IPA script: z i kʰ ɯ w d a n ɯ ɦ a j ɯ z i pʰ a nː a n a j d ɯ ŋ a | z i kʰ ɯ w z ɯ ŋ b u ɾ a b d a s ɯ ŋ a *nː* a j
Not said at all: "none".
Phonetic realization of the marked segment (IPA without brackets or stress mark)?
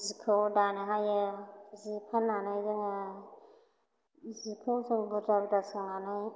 n